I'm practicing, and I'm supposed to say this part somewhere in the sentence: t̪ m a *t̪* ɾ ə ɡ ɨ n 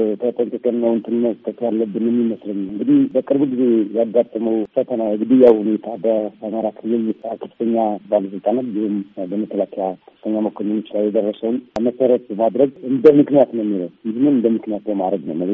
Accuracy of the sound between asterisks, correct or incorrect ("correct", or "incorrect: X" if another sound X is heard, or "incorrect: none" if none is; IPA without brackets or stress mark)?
incorrect: d̪